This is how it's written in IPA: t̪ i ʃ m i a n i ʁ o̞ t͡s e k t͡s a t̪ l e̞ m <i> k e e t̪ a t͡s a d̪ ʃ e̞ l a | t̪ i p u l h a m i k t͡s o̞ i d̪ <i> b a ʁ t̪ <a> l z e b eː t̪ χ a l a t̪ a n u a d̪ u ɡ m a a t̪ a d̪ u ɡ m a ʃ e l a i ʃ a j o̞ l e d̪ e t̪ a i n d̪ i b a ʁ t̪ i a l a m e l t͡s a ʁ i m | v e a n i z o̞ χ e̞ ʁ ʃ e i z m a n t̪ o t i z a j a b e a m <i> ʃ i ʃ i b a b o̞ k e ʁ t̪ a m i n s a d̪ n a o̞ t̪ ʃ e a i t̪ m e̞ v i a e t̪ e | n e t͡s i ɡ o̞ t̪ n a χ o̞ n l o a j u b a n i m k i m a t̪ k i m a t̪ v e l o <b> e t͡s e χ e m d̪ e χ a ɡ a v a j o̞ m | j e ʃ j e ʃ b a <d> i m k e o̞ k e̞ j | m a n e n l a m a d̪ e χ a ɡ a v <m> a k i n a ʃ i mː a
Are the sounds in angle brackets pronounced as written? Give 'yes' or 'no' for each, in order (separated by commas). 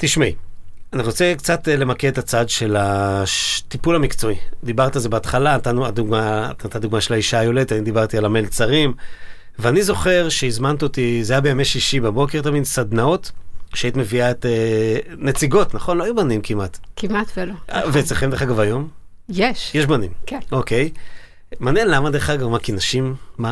no, yes, yes, no, no, no, yes